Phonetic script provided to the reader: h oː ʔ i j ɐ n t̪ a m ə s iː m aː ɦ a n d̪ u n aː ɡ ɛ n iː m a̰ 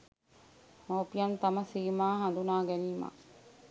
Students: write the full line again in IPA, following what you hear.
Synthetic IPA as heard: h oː p i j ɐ n t̪ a m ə s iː m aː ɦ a n d̪ u n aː ɡ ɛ n iː m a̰